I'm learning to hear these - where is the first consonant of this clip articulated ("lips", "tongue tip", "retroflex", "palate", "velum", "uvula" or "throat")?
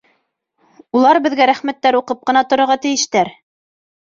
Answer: tongue tip